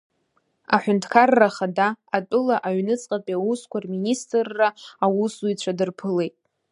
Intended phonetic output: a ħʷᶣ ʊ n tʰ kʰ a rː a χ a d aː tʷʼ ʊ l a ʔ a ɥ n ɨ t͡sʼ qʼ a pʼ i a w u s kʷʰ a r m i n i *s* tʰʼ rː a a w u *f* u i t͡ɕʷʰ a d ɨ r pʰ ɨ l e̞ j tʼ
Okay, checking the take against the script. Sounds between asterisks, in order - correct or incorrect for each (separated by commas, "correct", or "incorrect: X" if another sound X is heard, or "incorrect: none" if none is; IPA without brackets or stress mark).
correct, incorrect: s